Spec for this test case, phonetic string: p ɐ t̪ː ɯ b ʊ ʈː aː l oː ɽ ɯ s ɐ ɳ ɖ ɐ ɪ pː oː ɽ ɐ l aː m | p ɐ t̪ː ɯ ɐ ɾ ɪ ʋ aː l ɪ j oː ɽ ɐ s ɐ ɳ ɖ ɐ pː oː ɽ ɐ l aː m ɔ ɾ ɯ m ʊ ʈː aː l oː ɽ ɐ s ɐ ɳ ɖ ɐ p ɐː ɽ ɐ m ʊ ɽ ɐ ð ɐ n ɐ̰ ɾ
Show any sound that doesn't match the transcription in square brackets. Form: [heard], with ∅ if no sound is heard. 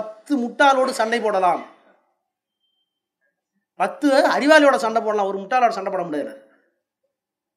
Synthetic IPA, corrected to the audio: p ɐ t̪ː ɯ [m] ʊ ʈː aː l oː ɽ ɯ s ɐ ɳ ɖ ɐ ɪ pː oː ɽ ɐ l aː m | p ɐ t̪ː ɯ ɐ ɾ ɪ ʋ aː l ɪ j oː ɽ ɐ s ɐ ɳ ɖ ɐ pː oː ɽ ɐ l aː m ɔ ɾ ɯ m ʊ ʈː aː l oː ɽ ɐ s ɐ ɳ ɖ ɐ p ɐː ɽ ɐ m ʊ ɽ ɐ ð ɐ n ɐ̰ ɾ